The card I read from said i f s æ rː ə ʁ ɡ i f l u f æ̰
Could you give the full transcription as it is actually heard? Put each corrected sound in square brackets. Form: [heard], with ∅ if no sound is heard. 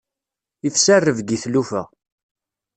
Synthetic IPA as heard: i f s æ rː ə [v] ɡ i [θ] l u f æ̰